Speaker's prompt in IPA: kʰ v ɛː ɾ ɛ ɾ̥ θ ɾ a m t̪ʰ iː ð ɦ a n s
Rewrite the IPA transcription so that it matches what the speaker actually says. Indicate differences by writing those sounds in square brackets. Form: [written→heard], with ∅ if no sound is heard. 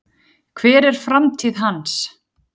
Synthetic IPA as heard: kʰ v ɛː ɾ ɛ ɾ̥ [θ→f] ɾ a m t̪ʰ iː ð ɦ a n s